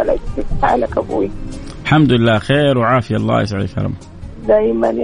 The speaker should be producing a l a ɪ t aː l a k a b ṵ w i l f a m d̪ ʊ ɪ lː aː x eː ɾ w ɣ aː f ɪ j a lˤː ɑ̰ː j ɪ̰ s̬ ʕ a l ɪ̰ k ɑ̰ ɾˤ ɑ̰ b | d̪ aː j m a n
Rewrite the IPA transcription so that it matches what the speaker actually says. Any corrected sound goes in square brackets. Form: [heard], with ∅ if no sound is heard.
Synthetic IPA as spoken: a l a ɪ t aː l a k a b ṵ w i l [ħ] a m d̪ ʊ ɪ lː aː x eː ɾ w [ʕ] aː f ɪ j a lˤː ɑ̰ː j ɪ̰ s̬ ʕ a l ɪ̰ k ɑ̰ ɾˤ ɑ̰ [m] | d̪ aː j m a n